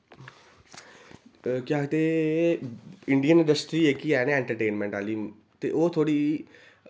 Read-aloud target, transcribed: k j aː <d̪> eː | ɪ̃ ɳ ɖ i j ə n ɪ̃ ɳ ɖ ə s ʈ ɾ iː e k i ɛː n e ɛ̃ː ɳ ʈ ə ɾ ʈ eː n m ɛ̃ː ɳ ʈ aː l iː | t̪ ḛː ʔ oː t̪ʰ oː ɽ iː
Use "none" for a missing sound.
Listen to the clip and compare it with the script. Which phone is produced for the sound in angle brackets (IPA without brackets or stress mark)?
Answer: t̪